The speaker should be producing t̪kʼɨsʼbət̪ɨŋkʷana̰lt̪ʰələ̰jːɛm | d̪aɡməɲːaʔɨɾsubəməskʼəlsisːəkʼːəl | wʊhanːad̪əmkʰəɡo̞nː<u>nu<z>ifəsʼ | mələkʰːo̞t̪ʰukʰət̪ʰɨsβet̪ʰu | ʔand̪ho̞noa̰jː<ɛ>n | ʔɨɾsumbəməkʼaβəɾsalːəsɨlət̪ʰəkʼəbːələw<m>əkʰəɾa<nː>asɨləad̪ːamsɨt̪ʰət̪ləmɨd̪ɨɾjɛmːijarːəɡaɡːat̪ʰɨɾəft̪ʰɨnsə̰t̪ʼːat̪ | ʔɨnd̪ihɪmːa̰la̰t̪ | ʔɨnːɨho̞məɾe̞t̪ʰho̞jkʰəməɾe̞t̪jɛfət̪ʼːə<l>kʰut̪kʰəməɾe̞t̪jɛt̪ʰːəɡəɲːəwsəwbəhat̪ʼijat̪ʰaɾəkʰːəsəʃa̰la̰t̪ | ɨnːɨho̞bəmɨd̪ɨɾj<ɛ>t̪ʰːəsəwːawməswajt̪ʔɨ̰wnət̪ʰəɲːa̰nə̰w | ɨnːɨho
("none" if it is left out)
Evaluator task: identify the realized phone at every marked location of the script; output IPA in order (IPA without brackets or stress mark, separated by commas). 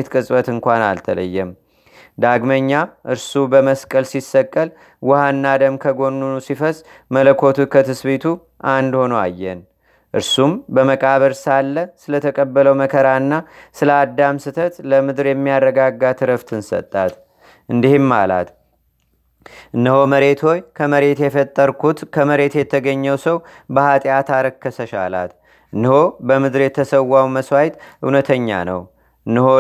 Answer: u, s, ɛ, m, nː, ɾ, ɛ